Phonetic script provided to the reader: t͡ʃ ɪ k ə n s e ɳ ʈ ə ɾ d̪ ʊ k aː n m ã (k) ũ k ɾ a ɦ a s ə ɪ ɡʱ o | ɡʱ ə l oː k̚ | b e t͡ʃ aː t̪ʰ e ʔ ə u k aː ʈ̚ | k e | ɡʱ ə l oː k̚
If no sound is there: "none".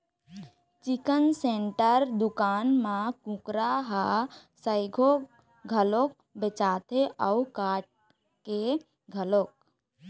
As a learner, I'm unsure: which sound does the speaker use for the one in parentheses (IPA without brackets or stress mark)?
k